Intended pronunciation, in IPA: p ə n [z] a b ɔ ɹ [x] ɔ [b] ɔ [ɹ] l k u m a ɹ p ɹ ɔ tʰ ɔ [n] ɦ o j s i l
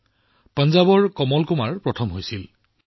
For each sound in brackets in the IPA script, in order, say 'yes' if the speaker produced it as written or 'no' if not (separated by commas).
yes, no, no, no, no